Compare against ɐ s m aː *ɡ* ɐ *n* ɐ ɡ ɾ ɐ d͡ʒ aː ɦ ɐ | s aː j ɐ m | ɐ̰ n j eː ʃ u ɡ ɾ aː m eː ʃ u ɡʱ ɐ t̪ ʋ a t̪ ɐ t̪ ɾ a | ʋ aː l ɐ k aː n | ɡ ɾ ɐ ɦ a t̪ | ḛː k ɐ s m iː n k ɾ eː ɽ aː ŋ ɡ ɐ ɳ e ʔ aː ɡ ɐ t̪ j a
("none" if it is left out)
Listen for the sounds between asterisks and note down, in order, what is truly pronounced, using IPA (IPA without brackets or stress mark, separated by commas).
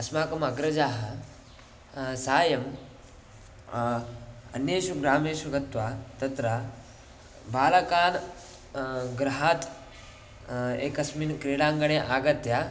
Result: k, m